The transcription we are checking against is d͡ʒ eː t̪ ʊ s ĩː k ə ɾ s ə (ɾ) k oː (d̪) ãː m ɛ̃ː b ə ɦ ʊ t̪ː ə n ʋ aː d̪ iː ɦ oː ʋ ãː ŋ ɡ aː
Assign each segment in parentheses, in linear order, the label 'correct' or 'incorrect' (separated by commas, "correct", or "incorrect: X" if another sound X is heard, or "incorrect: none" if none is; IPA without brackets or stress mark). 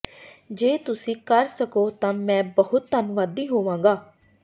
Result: incorrect: none, incorrect: t̪